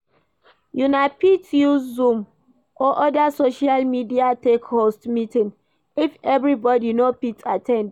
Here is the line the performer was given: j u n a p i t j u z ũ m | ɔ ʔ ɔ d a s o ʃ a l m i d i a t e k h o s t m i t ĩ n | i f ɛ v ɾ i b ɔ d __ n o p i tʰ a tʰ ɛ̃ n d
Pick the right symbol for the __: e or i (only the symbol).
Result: i